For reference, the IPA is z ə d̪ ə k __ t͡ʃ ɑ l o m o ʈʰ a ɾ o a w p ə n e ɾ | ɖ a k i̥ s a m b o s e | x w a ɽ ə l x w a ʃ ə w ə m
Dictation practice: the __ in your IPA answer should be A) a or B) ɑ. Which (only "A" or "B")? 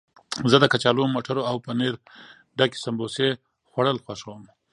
A